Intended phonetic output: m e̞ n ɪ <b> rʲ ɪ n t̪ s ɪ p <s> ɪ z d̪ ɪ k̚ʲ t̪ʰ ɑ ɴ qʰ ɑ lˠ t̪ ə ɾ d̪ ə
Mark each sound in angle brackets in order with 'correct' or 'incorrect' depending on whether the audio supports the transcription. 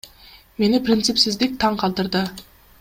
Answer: incorrect: p, correct

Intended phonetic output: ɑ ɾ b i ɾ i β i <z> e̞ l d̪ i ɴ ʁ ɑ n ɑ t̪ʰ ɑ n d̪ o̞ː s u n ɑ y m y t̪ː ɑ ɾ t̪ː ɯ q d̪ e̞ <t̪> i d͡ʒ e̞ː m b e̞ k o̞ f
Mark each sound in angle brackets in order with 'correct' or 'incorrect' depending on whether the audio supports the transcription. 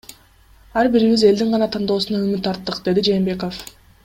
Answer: correct, incorrect: d̪

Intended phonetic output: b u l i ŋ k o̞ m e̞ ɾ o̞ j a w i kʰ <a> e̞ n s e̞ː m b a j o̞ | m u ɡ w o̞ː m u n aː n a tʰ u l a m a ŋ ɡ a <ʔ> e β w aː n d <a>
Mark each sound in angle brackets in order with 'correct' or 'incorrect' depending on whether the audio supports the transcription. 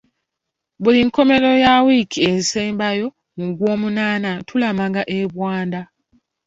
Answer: incorrect: i, correct, correct

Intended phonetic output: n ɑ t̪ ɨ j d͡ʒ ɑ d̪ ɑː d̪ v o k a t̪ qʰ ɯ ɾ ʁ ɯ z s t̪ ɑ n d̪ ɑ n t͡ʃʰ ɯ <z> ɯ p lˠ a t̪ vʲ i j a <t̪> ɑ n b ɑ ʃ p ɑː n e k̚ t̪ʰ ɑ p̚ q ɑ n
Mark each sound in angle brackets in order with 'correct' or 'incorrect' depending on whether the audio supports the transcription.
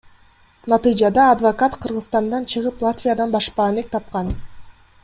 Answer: incorrect: ʁ, incorrect: d̪

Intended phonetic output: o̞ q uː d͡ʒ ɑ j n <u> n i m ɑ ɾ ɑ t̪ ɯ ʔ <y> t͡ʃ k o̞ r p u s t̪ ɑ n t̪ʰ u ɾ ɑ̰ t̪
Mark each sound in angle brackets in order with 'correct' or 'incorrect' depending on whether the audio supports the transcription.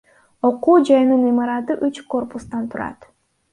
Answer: incorrect: ɯ, correct

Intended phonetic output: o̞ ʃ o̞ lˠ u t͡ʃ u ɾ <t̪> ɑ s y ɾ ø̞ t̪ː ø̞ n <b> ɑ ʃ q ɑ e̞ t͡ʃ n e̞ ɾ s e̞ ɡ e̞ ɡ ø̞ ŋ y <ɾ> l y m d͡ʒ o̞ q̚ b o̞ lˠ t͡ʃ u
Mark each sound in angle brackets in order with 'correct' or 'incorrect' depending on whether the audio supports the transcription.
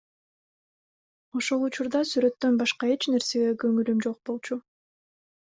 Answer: incorrect: d̪, correct, incorrect: none

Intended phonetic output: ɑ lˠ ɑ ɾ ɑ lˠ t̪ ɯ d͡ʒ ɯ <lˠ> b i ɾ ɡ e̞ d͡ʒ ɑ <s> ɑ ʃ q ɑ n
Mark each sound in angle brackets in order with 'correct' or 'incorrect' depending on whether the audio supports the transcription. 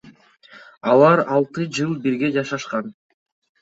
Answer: correct, incorrect: ʃ

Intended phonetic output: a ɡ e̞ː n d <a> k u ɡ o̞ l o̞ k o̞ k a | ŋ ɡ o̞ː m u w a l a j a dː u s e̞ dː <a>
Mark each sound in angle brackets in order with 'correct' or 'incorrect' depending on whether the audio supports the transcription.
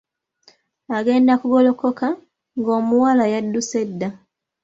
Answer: correct, correct

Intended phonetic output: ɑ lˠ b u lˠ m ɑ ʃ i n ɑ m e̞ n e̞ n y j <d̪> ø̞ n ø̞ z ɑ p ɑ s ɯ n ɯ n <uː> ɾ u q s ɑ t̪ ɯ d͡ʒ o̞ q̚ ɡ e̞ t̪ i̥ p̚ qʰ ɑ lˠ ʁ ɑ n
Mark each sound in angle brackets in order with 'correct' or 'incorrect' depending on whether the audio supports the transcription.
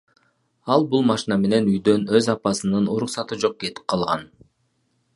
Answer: correct, incorrect: u

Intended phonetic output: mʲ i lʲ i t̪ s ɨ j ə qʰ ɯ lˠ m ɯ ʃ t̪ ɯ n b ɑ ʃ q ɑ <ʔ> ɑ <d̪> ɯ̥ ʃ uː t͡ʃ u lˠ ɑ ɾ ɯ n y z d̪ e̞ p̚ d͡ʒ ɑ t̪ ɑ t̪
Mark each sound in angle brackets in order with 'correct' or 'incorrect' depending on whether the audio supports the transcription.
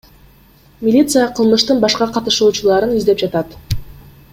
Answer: incorrect: q, incorrect: t̪

